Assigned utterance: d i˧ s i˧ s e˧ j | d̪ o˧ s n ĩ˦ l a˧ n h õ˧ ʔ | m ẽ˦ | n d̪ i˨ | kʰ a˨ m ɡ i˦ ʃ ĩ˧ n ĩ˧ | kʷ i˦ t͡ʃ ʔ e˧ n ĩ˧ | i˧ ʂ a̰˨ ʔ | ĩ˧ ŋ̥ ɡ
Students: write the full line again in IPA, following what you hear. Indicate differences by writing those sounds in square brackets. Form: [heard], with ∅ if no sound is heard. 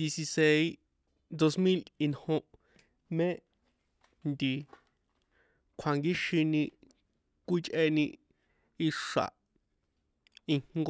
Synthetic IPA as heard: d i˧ s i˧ s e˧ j | d̪ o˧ s [m] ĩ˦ l [i˧] n h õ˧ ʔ | m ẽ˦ | n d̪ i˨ | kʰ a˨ [ŋ] ɡ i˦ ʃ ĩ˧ n ĩ˧ | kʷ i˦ t͡ʃ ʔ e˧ n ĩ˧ | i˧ ʂ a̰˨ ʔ | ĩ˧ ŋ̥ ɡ

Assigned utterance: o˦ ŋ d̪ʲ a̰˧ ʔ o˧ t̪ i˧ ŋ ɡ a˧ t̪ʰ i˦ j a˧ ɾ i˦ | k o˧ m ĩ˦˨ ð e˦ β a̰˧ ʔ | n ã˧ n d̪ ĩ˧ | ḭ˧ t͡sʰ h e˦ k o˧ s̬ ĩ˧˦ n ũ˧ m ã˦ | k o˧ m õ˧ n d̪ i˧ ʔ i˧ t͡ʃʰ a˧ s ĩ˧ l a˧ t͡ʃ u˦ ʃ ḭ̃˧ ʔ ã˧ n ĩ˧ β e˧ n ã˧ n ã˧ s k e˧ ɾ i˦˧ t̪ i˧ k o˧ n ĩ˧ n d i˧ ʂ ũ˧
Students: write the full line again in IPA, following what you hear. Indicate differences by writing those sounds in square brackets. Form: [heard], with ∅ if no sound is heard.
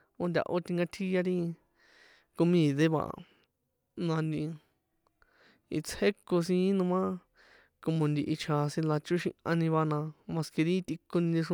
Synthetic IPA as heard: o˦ [n] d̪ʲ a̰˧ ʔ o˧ t̪ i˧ ŋ ɡ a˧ t̪ʰ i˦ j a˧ ɾ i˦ | k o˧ m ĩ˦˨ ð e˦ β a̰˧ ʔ | n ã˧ n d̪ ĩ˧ | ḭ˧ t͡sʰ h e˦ k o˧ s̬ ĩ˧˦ n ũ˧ m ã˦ | k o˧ m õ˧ n d̪ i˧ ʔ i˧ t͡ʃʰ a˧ s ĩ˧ l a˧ t͡ʃ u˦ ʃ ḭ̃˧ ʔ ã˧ n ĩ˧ β [a˧] n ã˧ [m] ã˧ s k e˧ ɾ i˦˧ t̪ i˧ k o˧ n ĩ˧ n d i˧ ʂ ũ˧

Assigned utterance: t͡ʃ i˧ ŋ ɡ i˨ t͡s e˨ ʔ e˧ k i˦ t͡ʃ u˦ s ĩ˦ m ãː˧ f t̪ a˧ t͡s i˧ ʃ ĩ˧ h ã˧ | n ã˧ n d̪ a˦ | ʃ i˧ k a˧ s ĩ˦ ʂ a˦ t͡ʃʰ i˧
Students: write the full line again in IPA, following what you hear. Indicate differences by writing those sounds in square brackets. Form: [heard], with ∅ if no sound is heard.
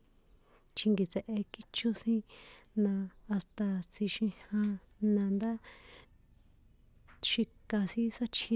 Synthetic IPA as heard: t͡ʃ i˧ ŋ ɡ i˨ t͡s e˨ ʔ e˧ k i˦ t͡ʃ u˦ s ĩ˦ [n] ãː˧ [s] t̪ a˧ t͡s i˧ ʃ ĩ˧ h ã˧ | n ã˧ n d̪ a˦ | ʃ i˧ k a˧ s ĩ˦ [s] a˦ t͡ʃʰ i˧

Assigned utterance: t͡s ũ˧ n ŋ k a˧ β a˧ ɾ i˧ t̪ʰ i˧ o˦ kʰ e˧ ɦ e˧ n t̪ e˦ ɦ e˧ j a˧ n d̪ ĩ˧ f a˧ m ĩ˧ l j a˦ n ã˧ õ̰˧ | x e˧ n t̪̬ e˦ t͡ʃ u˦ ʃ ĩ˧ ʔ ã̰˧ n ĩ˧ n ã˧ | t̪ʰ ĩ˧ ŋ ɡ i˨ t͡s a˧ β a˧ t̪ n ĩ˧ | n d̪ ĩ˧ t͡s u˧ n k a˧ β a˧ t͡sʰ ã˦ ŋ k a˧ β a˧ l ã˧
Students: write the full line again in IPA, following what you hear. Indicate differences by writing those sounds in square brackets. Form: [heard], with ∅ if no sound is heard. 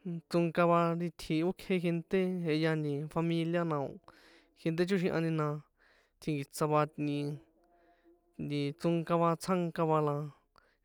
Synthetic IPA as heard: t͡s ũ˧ [∅] ŋ k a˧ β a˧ ɾ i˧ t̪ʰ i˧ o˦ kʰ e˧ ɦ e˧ n t̪ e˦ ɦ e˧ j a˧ n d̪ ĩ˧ f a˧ m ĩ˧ l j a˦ n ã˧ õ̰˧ | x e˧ n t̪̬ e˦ t͡ʃ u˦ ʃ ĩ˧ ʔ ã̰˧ n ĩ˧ n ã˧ | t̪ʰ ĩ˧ ŋ ɡ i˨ t͡s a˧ β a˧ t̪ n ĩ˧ | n d̪ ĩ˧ t͡s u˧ [ŋ] k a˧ β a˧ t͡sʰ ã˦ ŋ k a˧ β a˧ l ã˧

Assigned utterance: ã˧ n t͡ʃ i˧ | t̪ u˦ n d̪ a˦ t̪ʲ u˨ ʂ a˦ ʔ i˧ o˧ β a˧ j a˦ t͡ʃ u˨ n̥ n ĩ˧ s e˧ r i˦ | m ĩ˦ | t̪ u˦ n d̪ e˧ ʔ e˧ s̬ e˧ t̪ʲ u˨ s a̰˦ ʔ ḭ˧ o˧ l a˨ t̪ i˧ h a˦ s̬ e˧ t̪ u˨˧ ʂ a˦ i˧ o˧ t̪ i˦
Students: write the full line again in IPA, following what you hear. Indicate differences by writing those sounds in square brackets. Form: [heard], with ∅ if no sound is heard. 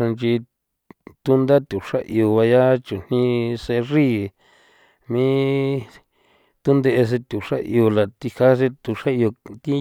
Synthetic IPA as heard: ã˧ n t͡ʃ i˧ | t̪ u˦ n d̪ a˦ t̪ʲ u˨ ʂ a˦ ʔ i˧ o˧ β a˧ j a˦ t͡ʃ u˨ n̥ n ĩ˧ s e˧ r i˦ | m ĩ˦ | t̪ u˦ n d̪ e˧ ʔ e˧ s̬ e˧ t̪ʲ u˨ [ʂ] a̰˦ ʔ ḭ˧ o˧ l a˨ t̪ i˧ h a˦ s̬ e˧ t̪ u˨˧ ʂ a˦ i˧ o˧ t̪ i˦

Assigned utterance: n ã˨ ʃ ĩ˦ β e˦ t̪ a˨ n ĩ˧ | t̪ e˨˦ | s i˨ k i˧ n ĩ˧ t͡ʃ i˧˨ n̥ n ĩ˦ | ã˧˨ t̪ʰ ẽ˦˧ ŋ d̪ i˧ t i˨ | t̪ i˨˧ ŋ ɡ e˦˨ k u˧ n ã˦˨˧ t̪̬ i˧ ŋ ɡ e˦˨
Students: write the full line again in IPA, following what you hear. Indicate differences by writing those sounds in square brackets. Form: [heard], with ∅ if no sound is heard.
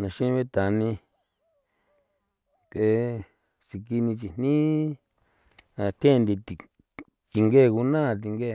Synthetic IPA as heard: n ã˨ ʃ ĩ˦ β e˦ t̪ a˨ n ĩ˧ | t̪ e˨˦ | s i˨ k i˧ n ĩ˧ t͡ʃ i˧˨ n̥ n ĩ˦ | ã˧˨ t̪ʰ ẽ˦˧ [n] d̪ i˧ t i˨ | t̪ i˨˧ ŋ ɡ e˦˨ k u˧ n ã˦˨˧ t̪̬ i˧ ŋ ɡ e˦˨

